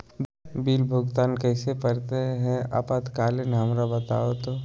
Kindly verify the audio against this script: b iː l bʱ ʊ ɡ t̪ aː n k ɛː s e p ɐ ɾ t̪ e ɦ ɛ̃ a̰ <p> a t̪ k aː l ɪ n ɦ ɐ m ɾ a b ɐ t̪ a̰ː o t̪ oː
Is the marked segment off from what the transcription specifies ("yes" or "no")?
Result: no